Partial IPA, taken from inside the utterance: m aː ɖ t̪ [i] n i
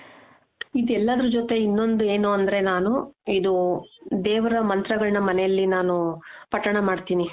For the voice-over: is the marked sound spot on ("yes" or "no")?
no